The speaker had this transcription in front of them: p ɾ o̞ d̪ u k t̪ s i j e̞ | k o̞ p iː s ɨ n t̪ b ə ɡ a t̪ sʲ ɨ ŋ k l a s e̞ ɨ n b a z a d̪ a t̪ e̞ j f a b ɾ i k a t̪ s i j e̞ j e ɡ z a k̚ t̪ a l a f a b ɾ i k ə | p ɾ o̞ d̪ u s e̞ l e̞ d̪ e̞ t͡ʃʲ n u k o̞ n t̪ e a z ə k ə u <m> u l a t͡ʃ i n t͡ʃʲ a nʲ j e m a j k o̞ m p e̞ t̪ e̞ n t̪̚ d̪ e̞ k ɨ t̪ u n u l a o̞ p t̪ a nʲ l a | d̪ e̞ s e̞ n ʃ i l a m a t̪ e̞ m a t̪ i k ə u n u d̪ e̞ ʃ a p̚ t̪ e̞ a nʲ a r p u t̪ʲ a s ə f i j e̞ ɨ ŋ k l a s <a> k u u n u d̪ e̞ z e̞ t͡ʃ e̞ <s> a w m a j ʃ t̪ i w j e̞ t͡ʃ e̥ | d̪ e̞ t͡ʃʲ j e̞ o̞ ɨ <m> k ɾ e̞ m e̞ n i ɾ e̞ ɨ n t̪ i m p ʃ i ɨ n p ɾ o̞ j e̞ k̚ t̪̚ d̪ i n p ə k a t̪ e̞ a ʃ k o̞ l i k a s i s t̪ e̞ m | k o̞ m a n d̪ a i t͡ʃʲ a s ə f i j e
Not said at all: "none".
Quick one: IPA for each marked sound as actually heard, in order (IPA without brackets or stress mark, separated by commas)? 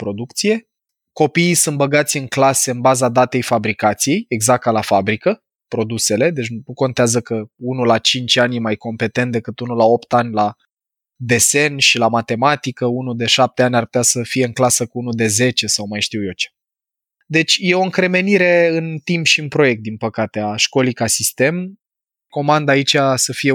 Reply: n, ə, s, ŋ